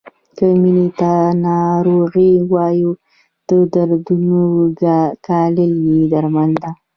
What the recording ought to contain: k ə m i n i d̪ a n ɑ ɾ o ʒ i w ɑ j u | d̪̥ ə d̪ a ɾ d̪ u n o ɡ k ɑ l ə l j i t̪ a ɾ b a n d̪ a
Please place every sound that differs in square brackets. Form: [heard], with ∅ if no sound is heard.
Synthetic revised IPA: k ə m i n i [t̪] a n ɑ ɾ o [ɣ] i w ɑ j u | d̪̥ ə d̪ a ɾ d̪ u n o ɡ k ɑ l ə l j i [d̪] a ɾ [m] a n d̪ a

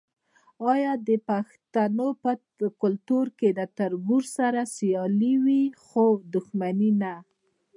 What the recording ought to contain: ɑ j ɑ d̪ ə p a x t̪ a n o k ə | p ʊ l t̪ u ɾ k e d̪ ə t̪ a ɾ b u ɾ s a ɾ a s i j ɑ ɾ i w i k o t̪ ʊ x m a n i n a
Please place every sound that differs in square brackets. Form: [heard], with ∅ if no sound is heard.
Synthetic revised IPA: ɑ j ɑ d̪ ə p a x t̪ a n o [p] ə | [k] ʊ l t̪ u ɾ k e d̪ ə t̪ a ɾ b u ɾ s a ɾ a s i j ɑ [l] i w i [x] o [d̪] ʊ x m a n i n a

